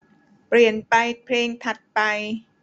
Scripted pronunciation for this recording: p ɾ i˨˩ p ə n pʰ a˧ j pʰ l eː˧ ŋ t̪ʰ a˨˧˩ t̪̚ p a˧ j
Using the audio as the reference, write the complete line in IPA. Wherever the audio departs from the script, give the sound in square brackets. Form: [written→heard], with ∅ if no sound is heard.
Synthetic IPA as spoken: p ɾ i˨˩ [p→∅] ə n [pʰ→p] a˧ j pʰ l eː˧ ŋ t̪ʰ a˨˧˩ t̪̚ p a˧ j